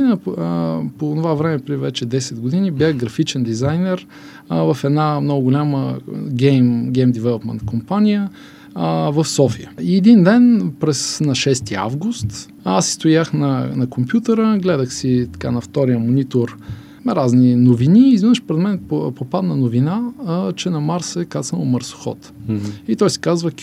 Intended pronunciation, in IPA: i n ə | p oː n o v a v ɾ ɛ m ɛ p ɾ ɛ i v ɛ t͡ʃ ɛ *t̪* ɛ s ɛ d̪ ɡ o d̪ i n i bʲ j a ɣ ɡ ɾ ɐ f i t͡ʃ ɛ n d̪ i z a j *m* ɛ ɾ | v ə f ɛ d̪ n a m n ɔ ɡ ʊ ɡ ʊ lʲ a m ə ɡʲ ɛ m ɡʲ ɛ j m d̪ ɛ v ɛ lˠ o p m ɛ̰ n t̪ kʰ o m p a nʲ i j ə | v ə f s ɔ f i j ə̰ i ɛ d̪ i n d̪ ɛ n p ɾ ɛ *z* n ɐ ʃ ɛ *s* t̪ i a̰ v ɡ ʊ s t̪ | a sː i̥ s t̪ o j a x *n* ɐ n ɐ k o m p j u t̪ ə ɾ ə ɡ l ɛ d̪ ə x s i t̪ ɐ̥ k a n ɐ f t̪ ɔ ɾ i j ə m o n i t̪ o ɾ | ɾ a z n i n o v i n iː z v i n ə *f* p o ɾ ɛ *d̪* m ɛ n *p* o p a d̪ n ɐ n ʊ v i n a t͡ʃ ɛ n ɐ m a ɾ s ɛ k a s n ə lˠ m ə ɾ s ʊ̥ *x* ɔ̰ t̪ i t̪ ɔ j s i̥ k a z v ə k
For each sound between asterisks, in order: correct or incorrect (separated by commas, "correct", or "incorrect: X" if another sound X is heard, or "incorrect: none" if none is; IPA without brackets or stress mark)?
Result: incorrect: d̪, incorrect: n, incorrect: s, correct, correct, incorrect: ʃ, correct, correct, correct